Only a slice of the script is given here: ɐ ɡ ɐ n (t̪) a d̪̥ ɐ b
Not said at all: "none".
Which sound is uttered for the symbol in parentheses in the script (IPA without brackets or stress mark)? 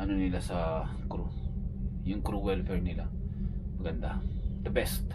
d̪